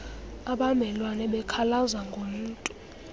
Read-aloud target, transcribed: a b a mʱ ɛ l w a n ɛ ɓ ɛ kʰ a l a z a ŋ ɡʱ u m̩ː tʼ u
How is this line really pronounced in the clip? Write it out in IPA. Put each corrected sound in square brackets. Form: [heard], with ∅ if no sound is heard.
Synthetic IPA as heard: a [ɓ] a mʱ ɛ l w a n ɛ ɓ ɛ kʰ a l a z a ŋ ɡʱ [o] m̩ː tʼ u